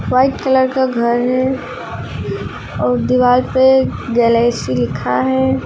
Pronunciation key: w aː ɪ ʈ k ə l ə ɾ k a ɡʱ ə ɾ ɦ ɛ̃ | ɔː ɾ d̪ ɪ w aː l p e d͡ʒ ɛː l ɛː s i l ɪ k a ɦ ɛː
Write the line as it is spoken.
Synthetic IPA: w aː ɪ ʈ k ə l ə ɾ k a ɡʱ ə ɾ ɦ ɛ | ɔː ɾ d̪ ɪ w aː l p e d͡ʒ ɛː l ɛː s i l ɪ kʰ a ɦ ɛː